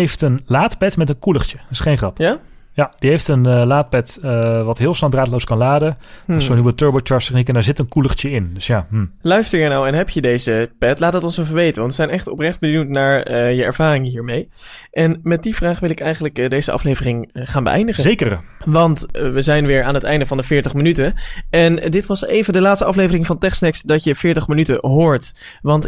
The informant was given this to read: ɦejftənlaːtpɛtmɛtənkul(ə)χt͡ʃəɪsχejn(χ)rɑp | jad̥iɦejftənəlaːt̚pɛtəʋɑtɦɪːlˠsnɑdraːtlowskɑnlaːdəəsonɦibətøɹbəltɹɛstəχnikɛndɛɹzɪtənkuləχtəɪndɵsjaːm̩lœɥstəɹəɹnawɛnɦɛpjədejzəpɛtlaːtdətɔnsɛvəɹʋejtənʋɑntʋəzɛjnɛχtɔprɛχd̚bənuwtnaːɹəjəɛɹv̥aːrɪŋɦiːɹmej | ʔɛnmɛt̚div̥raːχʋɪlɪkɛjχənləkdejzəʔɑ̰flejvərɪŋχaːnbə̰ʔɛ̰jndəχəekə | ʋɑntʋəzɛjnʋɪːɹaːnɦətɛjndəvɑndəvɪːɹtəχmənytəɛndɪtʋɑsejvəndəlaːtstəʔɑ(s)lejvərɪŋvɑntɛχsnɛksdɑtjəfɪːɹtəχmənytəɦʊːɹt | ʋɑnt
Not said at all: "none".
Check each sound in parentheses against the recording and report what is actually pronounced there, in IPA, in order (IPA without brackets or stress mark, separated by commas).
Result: ə, χ, f